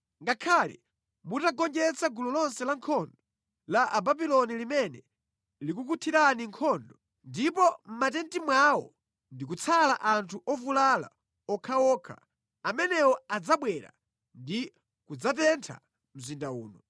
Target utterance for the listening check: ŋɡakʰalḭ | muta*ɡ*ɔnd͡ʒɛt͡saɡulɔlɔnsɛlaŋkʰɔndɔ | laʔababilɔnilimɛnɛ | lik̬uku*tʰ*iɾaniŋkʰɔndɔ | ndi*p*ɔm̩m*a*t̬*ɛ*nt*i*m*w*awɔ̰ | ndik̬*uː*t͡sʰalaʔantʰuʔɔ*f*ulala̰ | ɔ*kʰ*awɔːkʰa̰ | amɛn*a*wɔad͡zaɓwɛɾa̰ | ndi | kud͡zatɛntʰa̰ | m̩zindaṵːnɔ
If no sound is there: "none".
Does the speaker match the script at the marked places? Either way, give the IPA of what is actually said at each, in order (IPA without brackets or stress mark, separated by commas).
ɡ, tʰ, p, a, ɛ, i, w, u, v, kʰ, ɛ